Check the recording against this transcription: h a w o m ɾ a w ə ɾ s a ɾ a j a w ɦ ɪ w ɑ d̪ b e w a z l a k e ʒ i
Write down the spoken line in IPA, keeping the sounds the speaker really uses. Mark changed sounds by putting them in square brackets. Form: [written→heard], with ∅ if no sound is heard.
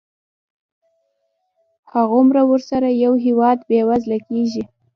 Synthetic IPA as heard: h a [w→ɣ] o m ɾ a w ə ɾ s a ɾ a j a w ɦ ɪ w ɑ d̪ b e w a z l a k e ʒ i